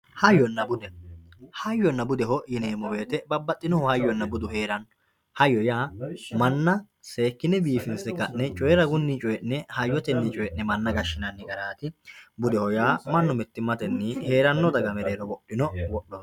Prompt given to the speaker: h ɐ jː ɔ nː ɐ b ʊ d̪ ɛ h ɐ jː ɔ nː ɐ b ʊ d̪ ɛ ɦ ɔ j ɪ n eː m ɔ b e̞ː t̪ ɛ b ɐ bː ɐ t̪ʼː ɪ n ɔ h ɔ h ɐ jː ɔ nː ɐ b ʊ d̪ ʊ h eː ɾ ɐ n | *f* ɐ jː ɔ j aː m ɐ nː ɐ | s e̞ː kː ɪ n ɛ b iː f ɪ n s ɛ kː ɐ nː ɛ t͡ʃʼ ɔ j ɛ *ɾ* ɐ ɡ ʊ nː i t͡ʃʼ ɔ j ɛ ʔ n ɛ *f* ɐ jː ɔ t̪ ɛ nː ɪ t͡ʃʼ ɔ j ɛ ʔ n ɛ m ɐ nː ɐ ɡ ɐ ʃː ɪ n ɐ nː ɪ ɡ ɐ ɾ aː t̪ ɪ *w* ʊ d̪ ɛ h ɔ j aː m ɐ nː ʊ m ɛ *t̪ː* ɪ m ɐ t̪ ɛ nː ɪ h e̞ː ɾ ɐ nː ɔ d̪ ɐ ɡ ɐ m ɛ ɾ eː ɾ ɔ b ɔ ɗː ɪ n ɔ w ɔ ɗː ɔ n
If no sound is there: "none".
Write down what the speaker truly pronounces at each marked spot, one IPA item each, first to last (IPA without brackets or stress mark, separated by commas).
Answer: h, ɾ, h, b, t̪ː